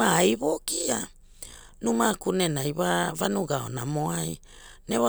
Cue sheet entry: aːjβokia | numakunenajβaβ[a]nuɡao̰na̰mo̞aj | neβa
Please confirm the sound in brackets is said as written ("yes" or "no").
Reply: yes